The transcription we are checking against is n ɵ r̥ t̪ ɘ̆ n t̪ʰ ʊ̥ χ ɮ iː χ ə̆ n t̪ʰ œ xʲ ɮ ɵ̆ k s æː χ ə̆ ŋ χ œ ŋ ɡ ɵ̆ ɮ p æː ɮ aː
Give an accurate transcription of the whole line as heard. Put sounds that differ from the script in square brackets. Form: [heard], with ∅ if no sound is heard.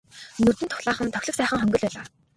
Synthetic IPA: n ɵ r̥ t̪ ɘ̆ n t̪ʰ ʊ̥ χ ɮ [aː] χ ə̆ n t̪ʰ œ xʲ ɮ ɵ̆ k s æː χ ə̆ ŋ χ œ ŋ ɡ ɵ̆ ɮ p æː ɮ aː